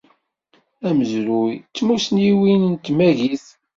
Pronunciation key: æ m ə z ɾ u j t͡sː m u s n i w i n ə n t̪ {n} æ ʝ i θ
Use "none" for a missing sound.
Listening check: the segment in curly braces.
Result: m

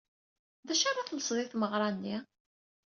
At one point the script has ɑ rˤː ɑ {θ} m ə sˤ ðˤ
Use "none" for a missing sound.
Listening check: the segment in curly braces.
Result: θ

